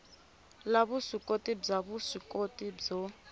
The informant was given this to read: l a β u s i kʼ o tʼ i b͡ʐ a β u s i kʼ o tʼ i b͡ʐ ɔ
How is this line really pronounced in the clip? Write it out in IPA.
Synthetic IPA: l a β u s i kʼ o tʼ i b͡ʐ a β u s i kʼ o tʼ i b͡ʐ ɔ